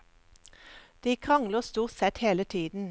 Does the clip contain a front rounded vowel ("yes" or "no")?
no